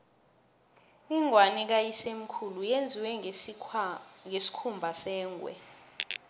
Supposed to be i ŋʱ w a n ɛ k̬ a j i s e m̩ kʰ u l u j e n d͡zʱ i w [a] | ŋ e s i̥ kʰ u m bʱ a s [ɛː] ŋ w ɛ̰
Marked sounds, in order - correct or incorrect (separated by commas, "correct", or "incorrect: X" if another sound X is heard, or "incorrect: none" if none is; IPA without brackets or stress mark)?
incorrect: ɛ, correct